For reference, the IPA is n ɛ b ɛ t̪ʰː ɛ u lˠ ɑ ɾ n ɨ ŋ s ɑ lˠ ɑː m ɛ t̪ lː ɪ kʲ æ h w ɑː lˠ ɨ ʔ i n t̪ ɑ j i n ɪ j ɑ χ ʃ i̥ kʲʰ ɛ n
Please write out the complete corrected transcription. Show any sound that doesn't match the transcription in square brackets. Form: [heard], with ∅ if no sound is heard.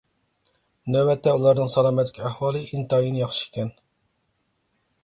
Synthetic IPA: n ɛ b ɛ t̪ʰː ɛ u lˠ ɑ ɾ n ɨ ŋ s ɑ lˠ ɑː m ɛ t̪ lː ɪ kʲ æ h w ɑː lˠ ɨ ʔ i n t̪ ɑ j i n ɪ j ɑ χ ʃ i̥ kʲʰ ɛ n